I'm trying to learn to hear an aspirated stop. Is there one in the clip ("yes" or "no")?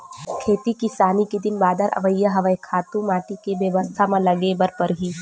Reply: yes